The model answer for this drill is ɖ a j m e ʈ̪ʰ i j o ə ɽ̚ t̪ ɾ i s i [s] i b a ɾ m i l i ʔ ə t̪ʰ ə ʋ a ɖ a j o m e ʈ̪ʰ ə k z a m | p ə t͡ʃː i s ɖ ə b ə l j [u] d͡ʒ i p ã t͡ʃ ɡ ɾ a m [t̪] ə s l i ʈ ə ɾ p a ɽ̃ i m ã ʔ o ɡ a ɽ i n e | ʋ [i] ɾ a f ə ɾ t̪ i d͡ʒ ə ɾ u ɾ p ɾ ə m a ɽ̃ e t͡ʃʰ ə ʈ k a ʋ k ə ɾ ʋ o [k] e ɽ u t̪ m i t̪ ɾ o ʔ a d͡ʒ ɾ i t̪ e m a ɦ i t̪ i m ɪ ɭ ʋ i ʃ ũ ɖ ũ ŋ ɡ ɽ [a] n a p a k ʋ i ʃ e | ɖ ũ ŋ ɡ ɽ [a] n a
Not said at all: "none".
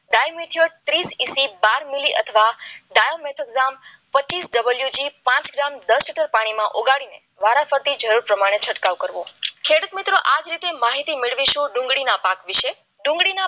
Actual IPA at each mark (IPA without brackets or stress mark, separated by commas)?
s, u, d̪, a, kʰ, i, i